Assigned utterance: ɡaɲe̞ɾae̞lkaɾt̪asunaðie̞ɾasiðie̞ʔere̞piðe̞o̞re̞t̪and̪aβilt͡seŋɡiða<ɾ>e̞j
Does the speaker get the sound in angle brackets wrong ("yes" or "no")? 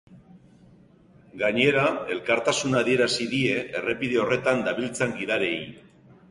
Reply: no